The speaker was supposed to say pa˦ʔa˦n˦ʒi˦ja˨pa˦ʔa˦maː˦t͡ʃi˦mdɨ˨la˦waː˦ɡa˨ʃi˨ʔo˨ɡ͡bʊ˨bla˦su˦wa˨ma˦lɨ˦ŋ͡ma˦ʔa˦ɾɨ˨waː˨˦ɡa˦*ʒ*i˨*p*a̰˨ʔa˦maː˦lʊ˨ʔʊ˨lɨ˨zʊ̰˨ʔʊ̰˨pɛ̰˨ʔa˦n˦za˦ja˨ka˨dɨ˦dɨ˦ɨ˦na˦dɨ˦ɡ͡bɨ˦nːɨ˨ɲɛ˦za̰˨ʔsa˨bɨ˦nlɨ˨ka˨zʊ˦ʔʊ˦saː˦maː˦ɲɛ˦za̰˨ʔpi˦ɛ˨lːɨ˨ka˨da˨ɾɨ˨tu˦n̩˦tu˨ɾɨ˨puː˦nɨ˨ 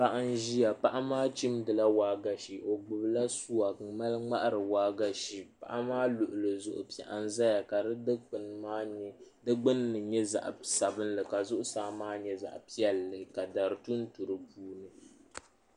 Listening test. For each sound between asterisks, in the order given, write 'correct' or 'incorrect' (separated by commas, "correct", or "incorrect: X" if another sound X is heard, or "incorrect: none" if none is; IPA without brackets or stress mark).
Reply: incorrect: ʃ, correct